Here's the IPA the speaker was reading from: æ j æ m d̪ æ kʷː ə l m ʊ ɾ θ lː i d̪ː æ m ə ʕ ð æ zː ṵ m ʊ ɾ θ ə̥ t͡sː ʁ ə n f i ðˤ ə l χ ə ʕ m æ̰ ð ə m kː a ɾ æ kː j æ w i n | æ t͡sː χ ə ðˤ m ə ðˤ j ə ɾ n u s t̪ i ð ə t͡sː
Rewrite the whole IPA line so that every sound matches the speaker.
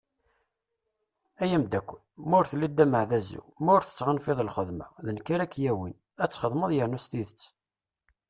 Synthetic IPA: æ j æ m d̪ æ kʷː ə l m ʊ ɾ θ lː i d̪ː æ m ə ʕ ð æ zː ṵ m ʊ ɾ θ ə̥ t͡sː ʁ ə n f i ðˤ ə l χ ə ð m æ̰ ð ə n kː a ɾ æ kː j æ w i n | æ t͡sː χ ə ðˤ m ə ðˤ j ə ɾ n u s t̪ i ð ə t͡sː

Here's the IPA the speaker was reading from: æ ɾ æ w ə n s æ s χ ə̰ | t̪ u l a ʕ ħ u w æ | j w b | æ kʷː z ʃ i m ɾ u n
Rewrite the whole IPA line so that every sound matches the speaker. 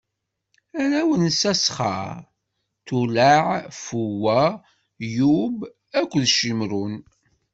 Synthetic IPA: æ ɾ æ w ə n s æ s χ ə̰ | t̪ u l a ʕ f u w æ | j u b | æ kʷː ð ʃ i m ɾ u n

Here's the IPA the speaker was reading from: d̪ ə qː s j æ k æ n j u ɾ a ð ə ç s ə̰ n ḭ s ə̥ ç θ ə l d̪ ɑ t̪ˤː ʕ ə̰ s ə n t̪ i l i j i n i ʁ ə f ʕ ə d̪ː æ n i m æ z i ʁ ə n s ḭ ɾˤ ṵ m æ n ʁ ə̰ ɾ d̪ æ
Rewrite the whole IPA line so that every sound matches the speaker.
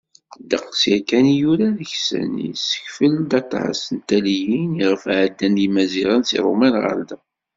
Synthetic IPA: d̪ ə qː s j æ k æ n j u ɾ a ð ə ç s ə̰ n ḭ s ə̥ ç f ə l d̪ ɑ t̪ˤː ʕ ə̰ s ə n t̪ æ l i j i n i ʁ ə f ʕ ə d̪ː æ n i m æ z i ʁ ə n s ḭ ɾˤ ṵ m æ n ʁ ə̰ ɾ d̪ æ

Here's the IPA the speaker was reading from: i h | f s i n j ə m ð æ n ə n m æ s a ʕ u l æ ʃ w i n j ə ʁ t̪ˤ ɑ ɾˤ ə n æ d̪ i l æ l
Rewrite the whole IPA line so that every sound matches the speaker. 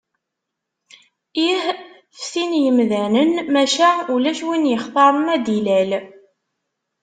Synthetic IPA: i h | f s i n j ə m ð æ n ə n m æ ʃ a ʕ u l æ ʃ w i n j ə χ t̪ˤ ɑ ɾˤ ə m æ d̪ i l æ l

